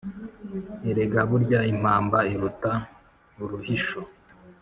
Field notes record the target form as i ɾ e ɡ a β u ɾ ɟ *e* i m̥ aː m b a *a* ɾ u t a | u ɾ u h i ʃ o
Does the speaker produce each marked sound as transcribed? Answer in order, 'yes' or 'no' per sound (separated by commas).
no, no